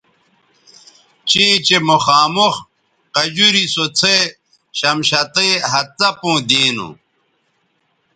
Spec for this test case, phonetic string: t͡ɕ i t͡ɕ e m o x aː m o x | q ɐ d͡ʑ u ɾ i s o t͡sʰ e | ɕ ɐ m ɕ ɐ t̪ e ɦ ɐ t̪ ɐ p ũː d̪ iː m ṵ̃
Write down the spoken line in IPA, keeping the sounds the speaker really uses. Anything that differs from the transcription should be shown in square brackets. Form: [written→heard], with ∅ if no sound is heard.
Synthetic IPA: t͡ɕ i t͡ɕ e m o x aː m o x | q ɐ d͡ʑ u ɾ i s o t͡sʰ e | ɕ ɐ m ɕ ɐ t̪ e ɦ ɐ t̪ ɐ p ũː d̪ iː [m→n] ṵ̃